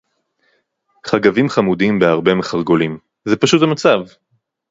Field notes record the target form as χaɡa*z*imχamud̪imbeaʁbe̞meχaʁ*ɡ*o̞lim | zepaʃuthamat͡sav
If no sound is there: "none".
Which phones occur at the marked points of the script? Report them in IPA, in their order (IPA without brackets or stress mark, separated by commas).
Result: v, ɡ